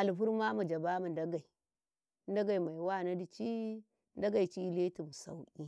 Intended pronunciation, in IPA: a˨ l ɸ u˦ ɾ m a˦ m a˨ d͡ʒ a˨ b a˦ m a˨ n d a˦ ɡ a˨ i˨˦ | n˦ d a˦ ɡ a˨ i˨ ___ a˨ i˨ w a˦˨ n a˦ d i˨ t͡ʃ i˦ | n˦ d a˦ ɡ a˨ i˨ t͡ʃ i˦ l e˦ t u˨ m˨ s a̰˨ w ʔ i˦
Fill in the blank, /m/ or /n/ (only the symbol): m